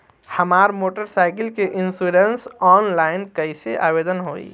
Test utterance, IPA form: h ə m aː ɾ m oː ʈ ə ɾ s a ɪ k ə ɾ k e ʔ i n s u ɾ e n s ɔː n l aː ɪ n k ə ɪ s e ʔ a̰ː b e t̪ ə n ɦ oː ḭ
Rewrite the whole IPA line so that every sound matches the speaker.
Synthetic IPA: h ə m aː ɾ m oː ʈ ə ɾ s a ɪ k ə l k e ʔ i n s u ɾ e n s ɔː n l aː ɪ n k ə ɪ s e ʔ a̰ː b e d̪ ə n ɦ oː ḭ